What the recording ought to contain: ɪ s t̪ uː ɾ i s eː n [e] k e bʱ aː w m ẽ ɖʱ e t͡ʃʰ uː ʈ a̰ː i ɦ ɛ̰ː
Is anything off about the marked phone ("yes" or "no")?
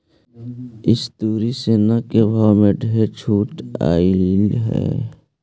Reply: yes